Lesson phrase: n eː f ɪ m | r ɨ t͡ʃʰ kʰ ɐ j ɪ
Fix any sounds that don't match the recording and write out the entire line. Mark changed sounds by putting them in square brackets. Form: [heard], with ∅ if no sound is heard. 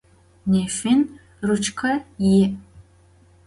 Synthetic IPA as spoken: n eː f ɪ [n] | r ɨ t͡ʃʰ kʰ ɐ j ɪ